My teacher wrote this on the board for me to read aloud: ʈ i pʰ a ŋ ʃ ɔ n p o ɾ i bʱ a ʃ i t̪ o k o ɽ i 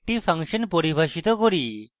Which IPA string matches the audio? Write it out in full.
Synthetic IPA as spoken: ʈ i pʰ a ŋ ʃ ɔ n p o ɾ i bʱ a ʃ i t̪ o k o ɾ i